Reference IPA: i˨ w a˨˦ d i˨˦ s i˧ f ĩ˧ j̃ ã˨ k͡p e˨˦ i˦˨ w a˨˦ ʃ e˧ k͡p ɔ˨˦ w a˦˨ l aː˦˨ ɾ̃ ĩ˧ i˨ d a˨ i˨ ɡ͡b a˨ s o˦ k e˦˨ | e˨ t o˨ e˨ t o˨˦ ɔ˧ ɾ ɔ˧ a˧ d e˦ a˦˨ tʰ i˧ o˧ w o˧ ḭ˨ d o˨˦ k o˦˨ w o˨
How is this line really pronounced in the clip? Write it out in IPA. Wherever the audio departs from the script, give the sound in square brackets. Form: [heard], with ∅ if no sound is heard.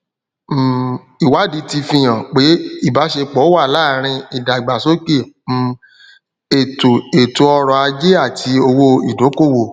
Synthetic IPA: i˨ w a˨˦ d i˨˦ [t] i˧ f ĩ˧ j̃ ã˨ k͡p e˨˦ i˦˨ [b] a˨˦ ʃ e˧ k͡p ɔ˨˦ w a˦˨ l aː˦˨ ɾ̃ ĩ˧ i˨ d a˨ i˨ ɡ͡b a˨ s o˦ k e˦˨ | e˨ t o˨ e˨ t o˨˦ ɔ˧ ɾ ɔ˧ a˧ [d͡ʒ] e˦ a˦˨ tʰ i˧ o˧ w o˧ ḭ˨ d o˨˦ k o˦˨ w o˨